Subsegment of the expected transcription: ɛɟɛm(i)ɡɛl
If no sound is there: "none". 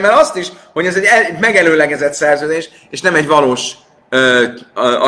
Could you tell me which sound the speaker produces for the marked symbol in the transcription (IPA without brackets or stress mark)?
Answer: ɛ